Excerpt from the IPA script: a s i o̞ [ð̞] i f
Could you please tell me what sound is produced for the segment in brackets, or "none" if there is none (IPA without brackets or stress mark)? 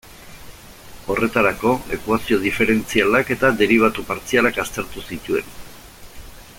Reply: ð̞